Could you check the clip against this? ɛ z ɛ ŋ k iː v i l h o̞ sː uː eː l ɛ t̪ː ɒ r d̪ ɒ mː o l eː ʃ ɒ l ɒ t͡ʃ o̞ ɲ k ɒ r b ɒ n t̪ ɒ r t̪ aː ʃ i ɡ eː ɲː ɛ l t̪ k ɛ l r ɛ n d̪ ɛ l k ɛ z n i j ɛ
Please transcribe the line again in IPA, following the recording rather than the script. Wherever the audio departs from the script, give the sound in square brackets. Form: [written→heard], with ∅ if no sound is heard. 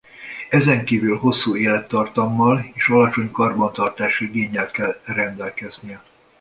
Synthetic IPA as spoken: ɛ z ɛ ŋ k iː v [i→y] l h o̞ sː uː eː l ɛ t̪ː ɒ r [d̪→t̪] ɒ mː [o→ɒ] l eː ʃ ɒ l ɒ t͡ʃ o̞ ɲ k ɒ r b ɒ n t̪ ɒ r t̪ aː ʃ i ɡ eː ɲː ɛ l t̪ k ɛ l r ɛ n d̪ ɛ l k ɛ z n i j ɛ